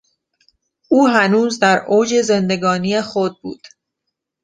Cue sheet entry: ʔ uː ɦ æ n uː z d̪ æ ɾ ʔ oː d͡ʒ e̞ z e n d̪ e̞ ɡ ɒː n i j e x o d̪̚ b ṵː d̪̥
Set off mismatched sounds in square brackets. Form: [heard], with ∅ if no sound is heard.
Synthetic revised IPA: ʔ uː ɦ æ n uː z d̪ æ ɾ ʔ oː d͡ʒ e̞ z e n d̪ e̞ ɡ ɒː n i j e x o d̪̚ b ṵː d̪̥